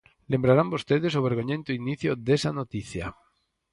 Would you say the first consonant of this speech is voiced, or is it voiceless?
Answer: voiced